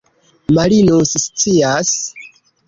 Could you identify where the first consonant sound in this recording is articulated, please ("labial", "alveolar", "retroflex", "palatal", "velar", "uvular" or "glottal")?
labial